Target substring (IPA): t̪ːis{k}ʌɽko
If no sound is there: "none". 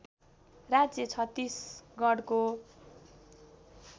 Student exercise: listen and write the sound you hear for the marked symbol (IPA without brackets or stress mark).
ɡ